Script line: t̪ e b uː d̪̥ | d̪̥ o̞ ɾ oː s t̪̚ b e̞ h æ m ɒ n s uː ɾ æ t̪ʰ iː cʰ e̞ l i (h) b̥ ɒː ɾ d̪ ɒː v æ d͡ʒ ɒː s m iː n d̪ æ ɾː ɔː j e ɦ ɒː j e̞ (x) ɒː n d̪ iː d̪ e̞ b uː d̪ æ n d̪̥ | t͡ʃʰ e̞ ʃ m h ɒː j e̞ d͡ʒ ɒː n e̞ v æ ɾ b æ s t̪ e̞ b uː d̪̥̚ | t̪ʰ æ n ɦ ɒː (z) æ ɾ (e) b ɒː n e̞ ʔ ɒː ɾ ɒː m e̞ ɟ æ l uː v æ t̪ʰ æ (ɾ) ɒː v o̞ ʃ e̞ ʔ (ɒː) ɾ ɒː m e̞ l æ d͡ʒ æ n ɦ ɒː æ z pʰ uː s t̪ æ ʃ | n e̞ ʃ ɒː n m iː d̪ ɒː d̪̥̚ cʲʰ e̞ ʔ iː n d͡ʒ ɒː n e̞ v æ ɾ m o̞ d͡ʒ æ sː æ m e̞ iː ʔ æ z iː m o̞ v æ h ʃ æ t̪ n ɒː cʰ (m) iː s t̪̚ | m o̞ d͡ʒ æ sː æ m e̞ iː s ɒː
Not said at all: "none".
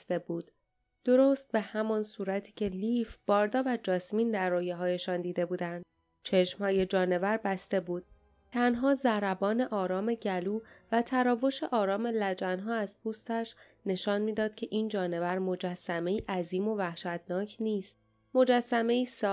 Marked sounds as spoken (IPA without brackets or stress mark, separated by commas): f, ʃ, z, æ, ɾ, ɒː, n